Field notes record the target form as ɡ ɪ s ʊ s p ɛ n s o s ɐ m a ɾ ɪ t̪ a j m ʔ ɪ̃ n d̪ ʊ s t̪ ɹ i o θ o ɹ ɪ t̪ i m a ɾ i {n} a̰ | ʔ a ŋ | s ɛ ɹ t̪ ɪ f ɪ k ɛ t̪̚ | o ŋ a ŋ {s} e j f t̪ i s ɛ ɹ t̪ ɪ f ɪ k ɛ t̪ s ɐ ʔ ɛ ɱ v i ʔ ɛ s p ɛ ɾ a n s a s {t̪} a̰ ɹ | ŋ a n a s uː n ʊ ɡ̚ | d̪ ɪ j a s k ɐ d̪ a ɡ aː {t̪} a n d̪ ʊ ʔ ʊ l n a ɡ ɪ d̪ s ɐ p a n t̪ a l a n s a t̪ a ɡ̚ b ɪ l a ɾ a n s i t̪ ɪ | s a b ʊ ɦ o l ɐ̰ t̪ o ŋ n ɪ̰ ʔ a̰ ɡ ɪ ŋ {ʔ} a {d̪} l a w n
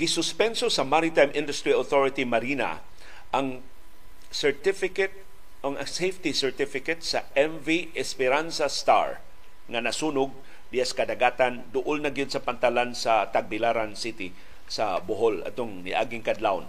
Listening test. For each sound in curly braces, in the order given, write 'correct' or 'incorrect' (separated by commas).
correct, correct, correct, correct, incorrect, correct